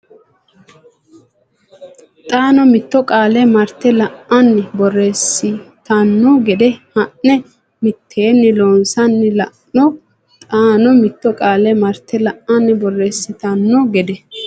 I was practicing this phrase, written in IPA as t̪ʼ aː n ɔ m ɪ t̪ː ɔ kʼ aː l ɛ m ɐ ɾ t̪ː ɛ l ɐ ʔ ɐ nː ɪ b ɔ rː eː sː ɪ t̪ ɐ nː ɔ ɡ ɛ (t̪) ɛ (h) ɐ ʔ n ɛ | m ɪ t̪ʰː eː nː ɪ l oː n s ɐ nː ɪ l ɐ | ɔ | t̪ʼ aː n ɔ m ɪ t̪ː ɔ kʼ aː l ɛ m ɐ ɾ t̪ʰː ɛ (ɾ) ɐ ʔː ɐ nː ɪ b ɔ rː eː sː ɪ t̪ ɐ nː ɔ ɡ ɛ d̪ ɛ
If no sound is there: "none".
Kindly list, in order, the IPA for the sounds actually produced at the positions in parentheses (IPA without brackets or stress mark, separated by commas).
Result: d̪, h, l